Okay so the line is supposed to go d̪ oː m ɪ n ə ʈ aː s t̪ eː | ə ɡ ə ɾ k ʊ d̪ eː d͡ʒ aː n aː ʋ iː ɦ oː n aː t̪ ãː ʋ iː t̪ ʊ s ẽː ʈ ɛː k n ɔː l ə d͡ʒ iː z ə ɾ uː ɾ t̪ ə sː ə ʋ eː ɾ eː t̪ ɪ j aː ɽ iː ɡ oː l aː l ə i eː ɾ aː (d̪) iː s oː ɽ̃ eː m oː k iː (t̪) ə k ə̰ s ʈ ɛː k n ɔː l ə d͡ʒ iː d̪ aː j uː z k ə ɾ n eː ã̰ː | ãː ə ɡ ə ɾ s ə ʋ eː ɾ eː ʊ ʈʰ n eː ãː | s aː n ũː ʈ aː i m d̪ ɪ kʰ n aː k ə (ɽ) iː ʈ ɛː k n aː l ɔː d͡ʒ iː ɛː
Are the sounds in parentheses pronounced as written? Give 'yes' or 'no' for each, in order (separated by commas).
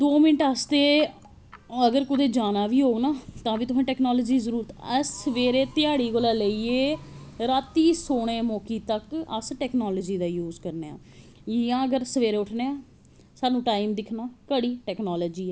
no, yes, yes